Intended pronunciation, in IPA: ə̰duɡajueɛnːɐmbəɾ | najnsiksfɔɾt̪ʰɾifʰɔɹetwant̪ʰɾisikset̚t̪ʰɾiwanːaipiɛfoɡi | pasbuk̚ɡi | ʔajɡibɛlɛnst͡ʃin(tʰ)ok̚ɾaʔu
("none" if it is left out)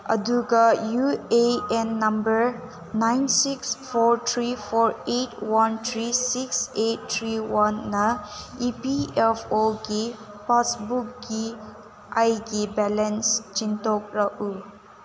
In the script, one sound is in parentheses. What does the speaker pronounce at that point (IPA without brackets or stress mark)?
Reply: t